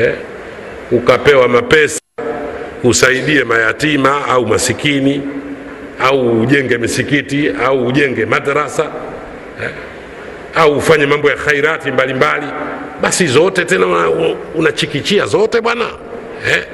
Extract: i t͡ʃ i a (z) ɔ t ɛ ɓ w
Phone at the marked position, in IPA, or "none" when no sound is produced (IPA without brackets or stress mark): z